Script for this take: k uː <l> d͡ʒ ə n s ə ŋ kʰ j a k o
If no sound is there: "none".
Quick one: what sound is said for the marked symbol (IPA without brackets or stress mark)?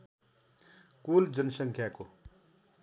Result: l